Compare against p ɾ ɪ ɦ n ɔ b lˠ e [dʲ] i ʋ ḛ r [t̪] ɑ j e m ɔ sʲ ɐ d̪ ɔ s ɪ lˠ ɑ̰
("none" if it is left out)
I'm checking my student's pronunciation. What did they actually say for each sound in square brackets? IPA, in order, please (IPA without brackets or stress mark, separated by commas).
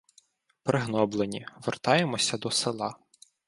nʲ, t̪